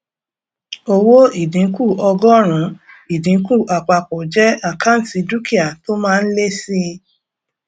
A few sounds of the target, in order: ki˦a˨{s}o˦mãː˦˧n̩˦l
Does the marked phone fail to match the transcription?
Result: yes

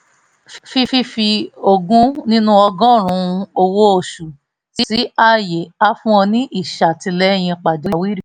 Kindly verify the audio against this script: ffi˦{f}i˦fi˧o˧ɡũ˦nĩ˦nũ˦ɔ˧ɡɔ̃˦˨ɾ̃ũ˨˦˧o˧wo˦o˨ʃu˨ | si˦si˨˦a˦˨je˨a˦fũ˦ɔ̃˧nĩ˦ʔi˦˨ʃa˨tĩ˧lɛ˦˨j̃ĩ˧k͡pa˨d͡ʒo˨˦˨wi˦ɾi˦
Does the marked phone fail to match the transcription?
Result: no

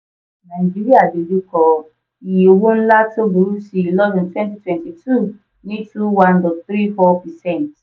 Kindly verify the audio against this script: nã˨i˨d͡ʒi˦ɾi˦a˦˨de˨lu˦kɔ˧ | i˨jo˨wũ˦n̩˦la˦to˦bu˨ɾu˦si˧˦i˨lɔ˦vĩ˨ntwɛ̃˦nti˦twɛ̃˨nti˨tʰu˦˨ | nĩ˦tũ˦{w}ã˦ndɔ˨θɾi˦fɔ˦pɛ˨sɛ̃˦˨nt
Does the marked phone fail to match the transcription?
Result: no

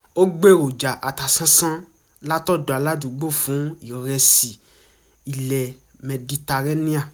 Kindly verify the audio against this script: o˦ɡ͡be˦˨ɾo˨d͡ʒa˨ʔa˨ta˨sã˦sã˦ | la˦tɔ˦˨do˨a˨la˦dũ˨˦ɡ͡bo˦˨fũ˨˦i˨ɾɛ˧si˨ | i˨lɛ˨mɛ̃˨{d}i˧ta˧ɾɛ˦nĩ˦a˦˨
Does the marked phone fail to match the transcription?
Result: no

